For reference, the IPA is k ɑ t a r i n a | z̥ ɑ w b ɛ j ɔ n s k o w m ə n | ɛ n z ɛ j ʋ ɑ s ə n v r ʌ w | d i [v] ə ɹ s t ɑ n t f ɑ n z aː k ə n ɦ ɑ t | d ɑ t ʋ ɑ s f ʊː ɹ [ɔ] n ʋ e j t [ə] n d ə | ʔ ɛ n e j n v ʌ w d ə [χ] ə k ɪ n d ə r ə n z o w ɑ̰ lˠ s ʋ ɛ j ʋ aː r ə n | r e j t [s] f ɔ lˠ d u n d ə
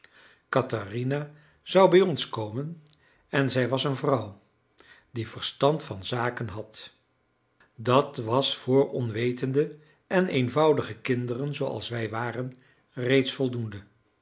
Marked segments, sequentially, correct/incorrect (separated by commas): correct, correct, correct, correct, correct